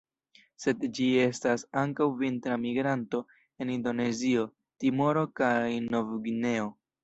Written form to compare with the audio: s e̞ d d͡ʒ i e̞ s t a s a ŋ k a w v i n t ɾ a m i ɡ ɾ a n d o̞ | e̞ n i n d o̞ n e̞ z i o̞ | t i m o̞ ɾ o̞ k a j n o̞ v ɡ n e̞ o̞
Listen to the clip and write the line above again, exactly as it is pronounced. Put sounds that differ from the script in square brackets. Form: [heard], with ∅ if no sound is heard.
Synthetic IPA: s e̞ d d͡ʒ i e̞ s t a s a ŋ k a w v i n t ɾ a m i ɡ ɾ a n [t] o̞ | e̞ n i n d o̞ n e̞ z i o̞ | t i m o̞ ɾ o̞ k a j n o̞ v ɡ n e̞ o̞